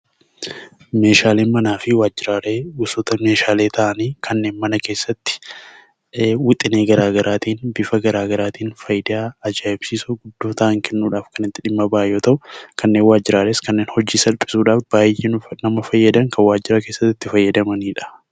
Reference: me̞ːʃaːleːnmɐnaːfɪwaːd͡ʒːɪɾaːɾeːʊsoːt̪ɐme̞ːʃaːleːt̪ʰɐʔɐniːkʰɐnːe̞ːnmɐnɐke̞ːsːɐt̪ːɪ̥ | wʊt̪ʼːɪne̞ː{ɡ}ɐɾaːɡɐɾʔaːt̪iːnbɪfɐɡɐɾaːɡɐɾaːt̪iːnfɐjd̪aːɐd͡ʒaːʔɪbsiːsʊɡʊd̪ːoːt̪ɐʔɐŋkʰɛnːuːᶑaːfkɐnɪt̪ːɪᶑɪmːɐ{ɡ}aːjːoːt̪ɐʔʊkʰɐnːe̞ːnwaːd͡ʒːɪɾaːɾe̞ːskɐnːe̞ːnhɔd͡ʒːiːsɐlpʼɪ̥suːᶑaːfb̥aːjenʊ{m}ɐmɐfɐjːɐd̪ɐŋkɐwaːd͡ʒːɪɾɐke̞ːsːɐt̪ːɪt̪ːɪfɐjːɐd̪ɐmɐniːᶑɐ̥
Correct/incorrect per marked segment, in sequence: correct, incorrect: b, incorrect: n

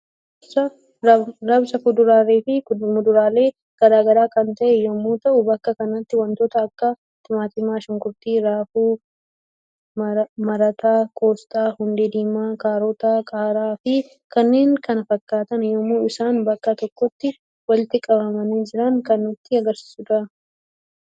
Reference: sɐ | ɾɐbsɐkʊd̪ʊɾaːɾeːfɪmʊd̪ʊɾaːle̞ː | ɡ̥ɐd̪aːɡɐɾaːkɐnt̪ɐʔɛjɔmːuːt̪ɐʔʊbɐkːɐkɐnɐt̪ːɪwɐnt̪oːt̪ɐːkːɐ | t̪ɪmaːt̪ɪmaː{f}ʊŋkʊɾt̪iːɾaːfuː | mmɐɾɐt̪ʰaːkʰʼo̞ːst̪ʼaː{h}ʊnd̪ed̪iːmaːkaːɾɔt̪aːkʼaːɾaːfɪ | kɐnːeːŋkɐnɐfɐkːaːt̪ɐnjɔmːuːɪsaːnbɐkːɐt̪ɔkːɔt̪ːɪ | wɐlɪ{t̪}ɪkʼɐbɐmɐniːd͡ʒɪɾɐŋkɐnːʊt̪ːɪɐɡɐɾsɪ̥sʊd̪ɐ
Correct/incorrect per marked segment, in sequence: incorrect: ʃ, correct, correct

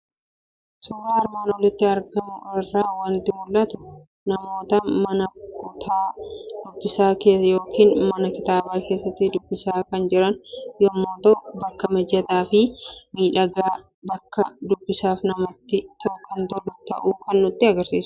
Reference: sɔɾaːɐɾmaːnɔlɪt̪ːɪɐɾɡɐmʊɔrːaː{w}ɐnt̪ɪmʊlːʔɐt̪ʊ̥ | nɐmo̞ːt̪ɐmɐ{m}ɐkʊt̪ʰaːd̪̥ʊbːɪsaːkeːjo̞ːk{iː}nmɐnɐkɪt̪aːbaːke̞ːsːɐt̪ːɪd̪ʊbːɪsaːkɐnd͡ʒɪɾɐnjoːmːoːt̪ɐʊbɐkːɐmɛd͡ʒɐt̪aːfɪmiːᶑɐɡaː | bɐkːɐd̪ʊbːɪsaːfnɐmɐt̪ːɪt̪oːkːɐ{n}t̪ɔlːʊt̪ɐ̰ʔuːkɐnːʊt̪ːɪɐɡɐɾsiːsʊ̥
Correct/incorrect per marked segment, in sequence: correct, incorrect: n, correct, correct

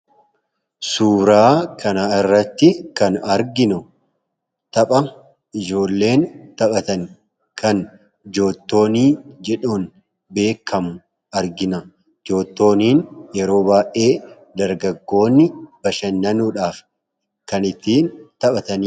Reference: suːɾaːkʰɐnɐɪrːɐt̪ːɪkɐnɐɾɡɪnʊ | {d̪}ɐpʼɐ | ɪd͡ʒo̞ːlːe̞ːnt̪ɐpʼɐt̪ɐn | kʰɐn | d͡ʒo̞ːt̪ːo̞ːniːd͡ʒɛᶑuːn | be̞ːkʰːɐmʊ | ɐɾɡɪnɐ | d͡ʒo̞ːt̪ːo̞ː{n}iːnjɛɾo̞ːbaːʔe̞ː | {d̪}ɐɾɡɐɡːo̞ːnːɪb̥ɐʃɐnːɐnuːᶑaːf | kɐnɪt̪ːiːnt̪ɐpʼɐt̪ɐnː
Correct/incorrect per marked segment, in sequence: incorrect: t̪, correct, correct

